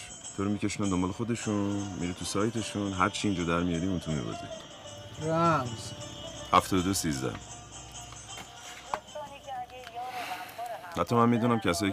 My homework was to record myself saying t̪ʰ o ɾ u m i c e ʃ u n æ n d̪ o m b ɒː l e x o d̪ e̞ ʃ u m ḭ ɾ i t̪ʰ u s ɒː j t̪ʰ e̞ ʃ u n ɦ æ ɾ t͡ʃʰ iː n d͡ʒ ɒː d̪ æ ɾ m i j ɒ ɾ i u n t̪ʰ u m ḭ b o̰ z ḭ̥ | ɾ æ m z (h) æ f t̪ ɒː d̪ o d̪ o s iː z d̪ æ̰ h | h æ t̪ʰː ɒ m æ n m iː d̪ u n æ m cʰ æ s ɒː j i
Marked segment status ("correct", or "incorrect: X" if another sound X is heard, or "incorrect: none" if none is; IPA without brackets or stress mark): correct